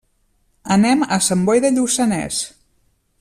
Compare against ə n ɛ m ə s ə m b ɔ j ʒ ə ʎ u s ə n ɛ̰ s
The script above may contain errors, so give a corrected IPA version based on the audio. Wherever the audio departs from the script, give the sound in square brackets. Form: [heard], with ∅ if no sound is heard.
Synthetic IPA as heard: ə n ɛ m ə s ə m b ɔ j [ð] ə ʎ u s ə n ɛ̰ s